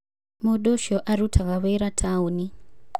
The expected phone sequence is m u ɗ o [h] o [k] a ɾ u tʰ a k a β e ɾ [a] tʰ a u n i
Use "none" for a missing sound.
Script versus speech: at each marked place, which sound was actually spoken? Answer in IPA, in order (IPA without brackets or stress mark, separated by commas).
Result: ʃ, ʔ, a